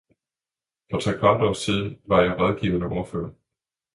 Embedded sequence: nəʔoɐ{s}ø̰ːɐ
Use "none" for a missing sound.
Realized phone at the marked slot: f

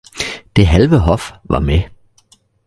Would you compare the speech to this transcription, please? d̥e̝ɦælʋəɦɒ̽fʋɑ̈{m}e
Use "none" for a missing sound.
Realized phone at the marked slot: m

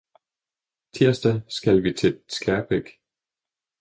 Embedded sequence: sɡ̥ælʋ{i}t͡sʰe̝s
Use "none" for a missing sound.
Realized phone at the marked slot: i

